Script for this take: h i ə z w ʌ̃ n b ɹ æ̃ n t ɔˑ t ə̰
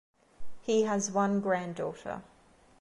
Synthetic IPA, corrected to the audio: h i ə z w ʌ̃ n ɡ ɹ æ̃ n d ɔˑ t ə̰